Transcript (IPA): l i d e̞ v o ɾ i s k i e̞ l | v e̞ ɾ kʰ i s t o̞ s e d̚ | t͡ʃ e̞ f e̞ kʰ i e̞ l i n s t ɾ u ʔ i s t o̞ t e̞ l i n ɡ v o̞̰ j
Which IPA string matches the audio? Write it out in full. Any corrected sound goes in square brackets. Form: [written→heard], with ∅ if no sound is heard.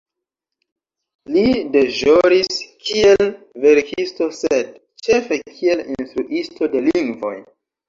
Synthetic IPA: l i d e̞ [v→ʒ] o ɾ i s k i e̞ l | v e̞ ɾ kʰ i s t o̞ s e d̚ | t͡ʃ e̞ f e̞ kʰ i e̞ l i n s t ɾ u ʔ i s t o̞ [t→d] e̞ l i [n→ŋ] ɡ v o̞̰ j